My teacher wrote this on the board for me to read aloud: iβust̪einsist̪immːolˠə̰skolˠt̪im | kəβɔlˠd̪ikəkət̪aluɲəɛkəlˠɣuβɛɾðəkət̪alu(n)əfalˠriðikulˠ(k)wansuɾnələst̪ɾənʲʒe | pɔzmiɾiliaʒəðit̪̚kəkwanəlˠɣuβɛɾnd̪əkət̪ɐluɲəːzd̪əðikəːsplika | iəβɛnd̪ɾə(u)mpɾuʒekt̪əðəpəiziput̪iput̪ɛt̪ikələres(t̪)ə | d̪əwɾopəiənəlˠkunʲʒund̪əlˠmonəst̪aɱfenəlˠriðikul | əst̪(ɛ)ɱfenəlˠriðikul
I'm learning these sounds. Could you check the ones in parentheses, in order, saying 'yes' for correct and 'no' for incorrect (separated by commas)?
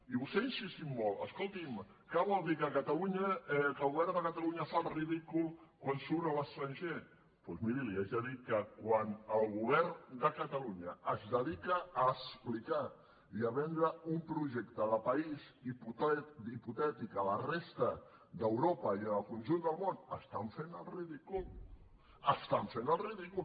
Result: no, yes, yes, yes, no